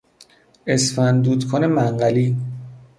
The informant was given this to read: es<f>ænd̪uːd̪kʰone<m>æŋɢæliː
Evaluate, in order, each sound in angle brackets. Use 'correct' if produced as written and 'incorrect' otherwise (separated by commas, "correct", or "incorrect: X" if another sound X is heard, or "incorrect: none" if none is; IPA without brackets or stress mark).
correct, correct